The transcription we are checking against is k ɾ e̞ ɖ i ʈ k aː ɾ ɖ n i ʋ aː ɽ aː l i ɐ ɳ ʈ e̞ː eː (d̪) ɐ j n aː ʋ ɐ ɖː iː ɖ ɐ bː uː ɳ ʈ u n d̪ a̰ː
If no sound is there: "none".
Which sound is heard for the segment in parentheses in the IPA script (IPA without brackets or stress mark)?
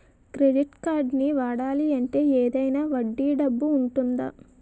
d̪